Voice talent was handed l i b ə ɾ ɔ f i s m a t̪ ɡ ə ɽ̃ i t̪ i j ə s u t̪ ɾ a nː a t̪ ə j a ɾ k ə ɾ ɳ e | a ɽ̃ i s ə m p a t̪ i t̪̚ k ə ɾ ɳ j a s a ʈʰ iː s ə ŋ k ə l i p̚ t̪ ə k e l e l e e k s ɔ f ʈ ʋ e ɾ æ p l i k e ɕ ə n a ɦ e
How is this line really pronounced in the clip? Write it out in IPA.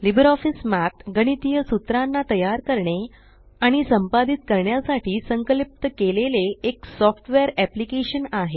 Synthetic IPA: l i b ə ɾ ɔ f i s m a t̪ ɡ ə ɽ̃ i t̪ i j ə s u t̪ ɾ a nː a t̪ ə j a ɾ k ə ɾ ɳ e | a ɽ̃ i s ə m p a d̪ i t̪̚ k ə ɾ ɳ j a s a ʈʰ iː s ə ŋ k ə l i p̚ t̪ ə k e l e l e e k s ɔ f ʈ ʋ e ɾ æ p l i k e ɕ ə n a ɦ e